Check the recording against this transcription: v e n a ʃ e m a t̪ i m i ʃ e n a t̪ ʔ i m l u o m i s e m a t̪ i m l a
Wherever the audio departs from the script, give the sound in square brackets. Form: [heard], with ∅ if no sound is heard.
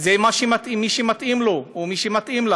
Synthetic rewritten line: [z] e [m] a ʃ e m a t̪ i m i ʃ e [m] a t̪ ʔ i m l [o] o m i [ʃ] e m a t̪ i m l a